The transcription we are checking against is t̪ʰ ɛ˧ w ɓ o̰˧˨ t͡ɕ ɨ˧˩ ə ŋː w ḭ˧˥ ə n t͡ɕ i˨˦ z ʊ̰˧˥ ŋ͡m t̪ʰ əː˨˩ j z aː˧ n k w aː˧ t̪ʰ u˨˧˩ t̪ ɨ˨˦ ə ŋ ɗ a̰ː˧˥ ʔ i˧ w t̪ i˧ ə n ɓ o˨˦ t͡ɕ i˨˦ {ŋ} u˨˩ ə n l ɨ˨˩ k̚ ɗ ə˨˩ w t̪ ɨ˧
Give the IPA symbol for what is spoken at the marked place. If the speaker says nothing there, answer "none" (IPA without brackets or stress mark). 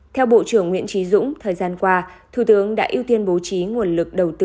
ŋ